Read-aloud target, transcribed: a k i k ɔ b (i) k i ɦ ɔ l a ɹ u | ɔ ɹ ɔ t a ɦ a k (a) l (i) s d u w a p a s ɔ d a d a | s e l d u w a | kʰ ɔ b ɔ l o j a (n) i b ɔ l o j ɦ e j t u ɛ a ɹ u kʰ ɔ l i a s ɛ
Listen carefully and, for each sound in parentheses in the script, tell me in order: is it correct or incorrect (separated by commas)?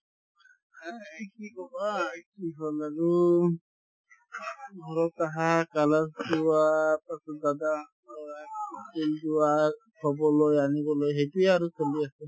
incorrect, correct, incorrect, correct